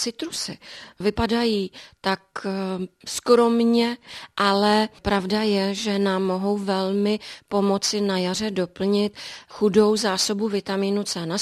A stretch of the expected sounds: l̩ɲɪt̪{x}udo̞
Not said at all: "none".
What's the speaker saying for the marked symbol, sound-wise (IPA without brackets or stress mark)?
x